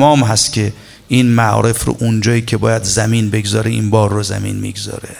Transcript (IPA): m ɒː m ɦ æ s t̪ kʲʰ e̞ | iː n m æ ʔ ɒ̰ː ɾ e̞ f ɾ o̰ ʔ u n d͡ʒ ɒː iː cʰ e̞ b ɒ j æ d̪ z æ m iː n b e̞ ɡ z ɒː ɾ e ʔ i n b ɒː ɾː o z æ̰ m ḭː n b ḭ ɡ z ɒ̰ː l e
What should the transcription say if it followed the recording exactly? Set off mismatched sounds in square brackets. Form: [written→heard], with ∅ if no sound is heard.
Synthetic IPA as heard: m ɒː m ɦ æ s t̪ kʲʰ e̞ | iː n m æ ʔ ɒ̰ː ɾ e̞ f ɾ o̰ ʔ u n d͡ʒ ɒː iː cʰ e̞ b [ɒ→ɒː] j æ d̪ z æ m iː n b e̞ ɡ z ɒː ɾ e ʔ i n b ɒː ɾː o z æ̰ m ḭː n [b→m] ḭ ɡ z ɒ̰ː [l→ɾ] e